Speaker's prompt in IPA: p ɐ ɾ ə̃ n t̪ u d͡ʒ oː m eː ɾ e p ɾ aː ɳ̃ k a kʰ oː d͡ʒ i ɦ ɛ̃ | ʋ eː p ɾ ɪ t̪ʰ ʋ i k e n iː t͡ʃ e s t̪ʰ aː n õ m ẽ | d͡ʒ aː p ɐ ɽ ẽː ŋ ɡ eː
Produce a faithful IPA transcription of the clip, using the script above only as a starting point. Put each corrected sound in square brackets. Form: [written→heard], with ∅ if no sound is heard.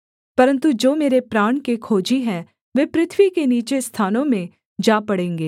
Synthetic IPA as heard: p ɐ ɾ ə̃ n t̪ u d͡ʒ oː m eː ɾ e p ɾ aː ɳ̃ k [a→e] kʰ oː d͡ʒ i ɦ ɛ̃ | ʋ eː p ɾ ɪ t̪ʰ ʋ i k e n iː t͡ʃ e s t̪ʰ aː n õ m ẽ | d͡ʒ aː p ɐ ɽ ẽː ŋ ɡ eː